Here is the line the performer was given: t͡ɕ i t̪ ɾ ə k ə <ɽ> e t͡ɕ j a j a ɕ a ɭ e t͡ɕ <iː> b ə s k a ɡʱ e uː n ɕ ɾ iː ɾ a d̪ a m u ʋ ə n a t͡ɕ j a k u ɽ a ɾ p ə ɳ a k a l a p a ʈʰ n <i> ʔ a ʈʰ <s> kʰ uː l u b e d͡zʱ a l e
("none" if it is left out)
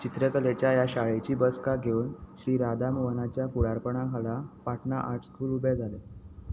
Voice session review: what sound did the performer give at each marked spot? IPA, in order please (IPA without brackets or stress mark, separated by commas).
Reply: l, iː, a, s